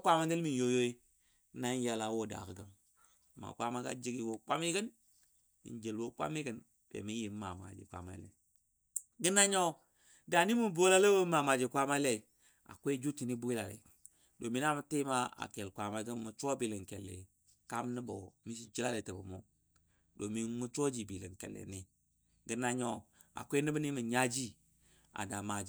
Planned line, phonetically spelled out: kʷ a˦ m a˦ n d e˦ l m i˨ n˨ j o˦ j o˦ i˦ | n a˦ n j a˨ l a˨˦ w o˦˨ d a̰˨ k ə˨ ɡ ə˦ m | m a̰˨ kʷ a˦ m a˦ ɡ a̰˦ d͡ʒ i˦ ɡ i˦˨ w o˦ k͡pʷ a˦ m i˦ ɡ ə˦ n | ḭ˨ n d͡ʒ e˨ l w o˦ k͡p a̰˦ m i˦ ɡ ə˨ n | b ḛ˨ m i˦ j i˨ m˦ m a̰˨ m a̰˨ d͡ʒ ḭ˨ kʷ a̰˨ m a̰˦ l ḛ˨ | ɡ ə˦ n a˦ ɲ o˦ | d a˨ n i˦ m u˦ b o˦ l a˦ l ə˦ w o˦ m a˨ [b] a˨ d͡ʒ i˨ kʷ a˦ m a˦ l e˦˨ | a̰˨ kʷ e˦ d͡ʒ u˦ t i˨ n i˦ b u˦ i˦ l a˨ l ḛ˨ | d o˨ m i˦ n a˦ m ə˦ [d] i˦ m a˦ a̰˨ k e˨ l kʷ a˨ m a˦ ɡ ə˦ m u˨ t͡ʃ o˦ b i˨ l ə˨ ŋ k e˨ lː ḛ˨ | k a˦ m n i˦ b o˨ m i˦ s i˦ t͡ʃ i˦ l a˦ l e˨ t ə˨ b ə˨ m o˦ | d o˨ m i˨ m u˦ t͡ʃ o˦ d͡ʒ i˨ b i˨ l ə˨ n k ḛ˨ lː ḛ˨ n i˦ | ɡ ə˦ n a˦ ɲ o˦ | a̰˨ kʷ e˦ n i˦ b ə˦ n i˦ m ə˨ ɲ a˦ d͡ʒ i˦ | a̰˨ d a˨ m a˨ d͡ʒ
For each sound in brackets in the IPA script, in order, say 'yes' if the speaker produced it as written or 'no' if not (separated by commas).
no, no